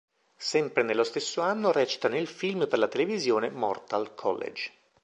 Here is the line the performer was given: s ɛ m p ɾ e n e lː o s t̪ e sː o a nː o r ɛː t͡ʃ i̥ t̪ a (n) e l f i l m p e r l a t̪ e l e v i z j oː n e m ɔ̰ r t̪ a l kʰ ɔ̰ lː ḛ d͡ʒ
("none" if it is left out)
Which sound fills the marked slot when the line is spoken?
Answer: n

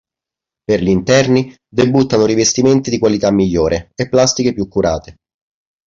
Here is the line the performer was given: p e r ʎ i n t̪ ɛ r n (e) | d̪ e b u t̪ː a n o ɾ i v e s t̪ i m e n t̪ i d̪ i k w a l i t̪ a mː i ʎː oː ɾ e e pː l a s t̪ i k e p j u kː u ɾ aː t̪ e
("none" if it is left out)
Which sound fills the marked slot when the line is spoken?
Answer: i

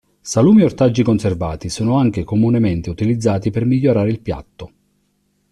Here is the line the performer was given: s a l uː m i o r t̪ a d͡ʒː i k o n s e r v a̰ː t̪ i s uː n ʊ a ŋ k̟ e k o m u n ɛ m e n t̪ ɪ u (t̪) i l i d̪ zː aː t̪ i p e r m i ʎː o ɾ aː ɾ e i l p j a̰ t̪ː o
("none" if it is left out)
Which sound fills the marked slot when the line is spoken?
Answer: t̪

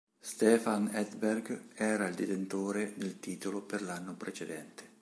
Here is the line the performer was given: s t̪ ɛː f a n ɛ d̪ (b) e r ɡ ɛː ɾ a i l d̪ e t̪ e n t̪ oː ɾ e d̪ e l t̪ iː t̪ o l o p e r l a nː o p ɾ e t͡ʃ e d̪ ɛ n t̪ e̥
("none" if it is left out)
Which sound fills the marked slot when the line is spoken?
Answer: b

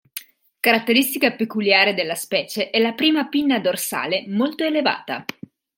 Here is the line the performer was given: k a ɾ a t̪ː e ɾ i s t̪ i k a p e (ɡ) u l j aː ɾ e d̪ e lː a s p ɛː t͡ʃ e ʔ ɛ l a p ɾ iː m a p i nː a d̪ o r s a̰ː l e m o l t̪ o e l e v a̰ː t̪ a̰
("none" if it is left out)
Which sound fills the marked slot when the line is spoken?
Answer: k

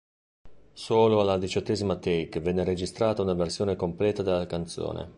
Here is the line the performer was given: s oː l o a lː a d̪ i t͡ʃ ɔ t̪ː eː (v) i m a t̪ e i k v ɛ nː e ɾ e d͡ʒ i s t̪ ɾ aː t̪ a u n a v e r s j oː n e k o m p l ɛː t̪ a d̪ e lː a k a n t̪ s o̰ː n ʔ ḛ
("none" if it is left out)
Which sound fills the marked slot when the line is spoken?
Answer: z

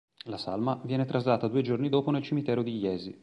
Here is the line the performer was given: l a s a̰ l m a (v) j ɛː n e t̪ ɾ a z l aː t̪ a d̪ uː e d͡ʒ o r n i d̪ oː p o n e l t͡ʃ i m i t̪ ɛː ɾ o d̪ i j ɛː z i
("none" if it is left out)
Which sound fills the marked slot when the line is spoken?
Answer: v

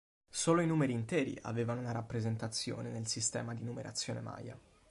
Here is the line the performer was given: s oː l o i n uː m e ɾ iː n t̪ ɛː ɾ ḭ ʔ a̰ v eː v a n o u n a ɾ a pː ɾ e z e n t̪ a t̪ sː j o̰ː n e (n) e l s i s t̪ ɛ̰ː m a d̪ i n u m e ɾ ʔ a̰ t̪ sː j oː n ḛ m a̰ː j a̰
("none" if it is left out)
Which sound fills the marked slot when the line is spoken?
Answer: n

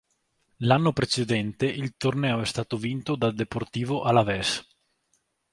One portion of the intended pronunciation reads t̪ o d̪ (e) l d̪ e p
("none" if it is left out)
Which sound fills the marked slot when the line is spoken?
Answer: a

